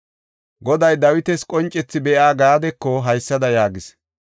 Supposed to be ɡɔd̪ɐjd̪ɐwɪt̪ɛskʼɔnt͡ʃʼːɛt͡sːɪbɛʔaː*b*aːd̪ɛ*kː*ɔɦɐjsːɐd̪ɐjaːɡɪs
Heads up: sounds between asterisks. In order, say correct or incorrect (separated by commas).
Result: incorrect, correct